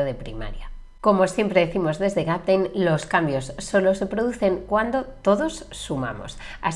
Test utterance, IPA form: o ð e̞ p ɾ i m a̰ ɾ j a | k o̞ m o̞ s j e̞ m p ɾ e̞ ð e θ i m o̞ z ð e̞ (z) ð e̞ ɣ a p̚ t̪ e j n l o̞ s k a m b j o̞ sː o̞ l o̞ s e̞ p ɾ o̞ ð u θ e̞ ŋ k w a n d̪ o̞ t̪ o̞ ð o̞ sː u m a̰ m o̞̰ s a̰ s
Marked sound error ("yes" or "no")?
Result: no